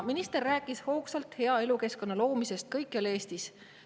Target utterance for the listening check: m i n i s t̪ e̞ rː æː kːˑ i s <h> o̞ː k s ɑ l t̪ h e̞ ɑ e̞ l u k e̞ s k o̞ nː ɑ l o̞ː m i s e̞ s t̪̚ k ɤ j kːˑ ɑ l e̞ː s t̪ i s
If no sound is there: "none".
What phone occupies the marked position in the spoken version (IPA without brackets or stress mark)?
h